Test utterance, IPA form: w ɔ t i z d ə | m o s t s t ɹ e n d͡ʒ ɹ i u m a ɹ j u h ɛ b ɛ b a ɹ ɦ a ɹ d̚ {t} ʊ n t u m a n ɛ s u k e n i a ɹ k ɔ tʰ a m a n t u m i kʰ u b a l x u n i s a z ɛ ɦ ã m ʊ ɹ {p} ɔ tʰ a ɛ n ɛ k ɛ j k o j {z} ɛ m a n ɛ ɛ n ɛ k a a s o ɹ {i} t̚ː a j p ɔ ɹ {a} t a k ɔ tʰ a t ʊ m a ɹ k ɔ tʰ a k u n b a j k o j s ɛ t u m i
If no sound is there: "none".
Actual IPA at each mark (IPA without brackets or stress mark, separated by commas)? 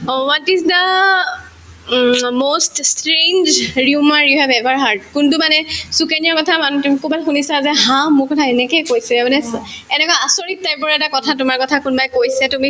k, k, s, i, ɛ